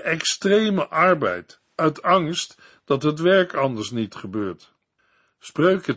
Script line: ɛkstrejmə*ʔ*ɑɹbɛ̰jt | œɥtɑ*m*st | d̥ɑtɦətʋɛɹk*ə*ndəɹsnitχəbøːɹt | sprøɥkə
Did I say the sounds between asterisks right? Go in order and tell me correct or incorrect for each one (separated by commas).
correct, incorrect, incorrect